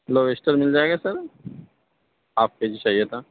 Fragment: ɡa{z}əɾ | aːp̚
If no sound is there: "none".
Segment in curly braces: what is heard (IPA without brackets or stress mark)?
s